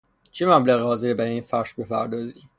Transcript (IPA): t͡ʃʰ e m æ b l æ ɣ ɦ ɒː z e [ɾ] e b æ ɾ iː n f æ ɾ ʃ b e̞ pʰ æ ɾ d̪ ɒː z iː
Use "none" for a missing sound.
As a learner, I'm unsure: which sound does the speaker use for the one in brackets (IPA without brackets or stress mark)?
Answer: ɾ